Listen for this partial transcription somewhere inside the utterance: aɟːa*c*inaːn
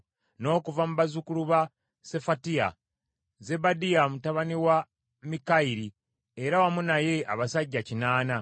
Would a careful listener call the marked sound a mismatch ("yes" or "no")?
no